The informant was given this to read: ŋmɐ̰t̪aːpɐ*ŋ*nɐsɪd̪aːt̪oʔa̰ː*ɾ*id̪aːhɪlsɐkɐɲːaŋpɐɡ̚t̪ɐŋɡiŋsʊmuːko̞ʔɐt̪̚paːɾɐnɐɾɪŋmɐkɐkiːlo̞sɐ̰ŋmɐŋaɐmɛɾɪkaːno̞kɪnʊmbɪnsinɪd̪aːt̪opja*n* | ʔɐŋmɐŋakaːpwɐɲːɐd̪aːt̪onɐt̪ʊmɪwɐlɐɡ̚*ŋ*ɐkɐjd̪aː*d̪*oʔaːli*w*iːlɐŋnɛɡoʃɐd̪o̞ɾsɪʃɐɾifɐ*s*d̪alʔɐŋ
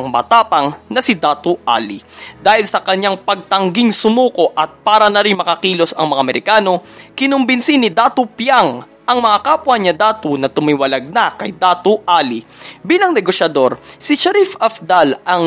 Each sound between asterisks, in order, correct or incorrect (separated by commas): correct, incorrect, incorrect, incorrect, incorrect, incorrect, incorrect